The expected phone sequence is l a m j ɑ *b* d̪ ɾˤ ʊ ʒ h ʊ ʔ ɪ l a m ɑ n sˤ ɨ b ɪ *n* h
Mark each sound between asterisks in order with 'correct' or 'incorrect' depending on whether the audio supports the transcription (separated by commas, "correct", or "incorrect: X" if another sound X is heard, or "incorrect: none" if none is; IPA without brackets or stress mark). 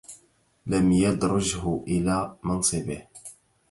incorrect: none, incorrect: none